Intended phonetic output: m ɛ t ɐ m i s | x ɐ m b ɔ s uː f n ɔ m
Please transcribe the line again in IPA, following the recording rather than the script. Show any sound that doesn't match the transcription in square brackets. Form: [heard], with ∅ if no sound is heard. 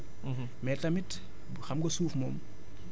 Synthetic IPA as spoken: m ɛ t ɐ m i [t] | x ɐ m [ɡ] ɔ s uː f [m] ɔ m